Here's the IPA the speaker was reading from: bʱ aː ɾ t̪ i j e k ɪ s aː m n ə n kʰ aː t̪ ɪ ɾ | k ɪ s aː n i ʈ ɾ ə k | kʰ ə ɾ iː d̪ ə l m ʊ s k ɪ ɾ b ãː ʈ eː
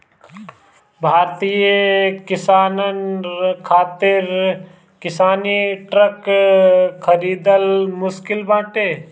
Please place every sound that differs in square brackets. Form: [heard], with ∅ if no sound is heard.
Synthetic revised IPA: bʱ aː ɾ t̪ i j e k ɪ s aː [∅] n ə n kʰ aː t̪ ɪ ɾ | k ɪ s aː n i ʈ ɾ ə k | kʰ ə ɾ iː d̪ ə l m ʊ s k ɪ [l] b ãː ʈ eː